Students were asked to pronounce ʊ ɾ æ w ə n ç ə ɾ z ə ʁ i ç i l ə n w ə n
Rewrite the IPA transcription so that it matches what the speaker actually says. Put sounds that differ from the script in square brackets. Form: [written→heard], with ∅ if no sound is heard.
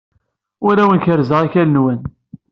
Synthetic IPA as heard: ʊ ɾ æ w ə n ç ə ɾ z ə ʁ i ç [i→æ] l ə n w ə n